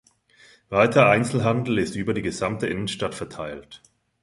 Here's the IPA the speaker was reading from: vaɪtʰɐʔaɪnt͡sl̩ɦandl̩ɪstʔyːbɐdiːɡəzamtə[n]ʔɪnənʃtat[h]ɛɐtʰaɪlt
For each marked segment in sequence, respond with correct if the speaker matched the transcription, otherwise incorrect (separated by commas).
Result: incorrect, incorrect